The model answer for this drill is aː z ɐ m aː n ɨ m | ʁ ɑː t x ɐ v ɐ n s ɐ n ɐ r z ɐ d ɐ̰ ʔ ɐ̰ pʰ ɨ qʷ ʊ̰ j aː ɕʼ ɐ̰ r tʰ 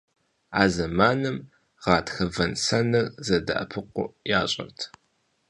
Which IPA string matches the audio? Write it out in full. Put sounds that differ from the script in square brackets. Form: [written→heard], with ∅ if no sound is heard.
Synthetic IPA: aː z ɐ m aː n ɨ m | ʁ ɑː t x ɐ v ɐ n s ɐ n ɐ r z ɐ d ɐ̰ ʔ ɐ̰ pʰ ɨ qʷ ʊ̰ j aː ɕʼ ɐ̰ r tʰ